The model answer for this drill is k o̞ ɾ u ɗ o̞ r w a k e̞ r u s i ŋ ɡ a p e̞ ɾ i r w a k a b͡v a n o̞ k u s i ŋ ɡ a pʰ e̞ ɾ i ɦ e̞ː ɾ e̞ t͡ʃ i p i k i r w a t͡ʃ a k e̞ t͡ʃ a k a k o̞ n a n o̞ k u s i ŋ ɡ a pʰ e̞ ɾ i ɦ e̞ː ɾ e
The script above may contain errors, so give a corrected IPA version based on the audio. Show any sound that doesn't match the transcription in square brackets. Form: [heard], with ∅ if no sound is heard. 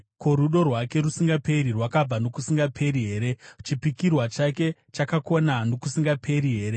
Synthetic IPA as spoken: k o̞ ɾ u ɗ o̞ r w a k e̞ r u s i ŋ ɡ a p e̞ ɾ i r w a k a b͡v a n o̞ k u s i ŋ ɡ a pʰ e̞ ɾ i ɦ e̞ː ɾ e̞ t͡ʃ i p i k i r w a t͡ʃ a k e̞ t͡ʃ a k a k o̞ n a n o̞ k u s i ŋ ɡ a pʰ e̞ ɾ i ɦ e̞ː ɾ e